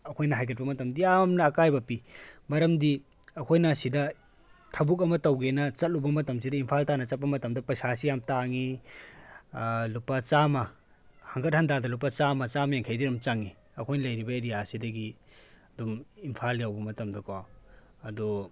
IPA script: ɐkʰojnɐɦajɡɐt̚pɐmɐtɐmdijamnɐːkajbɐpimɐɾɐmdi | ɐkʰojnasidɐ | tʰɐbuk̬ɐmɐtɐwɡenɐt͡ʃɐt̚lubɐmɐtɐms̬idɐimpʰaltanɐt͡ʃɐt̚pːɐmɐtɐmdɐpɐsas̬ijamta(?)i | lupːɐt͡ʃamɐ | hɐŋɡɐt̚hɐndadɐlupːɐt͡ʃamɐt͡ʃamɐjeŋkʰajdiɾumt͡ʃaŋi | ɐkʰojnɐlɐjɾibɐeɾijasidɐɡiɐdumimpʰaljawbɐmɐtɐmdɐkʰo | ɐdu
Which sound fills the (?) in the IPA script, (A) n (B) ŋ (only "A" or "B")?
B